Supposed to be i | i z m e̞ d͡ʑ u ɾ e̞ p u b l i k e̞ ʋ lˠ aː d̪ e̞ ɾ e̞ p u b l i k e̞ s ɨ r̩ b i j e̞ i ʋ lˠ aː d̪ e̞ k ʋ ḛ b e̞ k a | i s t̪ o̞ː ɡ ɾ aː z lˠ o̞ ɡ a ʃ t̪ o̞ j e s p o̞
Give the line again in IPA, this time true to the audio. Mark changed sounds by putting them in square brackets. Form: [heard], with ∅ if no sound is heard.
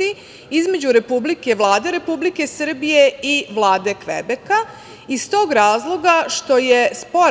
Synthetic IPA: i | i z m e̞ d͡ʑ u ɾ e̞ p u b l i k e̞ ʋ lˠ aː d̪ e̞ ɾ e̞ p u b l i k e̞ s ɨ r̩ b i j e̞ i ʋ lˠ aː d̪ e̞ k ʋ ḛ b e̞ k a | i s t̪ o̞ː ɡ ɾ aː z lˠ o̞ ɡ a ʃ t̪ o̞ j e s p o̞